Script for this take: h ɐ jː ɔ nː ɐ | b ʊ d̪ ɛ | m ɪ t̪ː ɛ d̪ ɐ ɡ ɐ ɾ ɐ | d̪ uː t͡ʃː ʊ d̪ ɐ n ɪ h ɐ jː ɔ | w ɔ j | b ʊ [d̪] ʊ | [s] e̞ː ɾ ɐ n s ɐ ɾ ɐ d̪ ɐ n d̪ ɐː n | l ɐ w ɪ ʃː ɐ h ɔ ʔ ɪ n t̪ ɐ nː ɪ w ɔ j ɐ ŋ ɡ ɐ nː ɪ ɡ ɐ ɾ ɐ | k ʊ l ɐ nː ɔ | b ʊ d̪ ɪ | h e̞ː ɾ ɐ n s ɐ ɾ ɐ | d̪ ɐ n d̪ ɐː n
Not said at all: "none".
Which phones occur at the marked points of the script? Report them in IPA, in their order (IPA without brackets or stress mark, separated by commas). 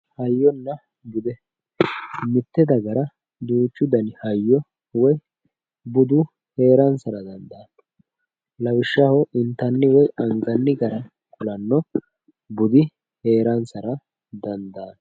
d̪, h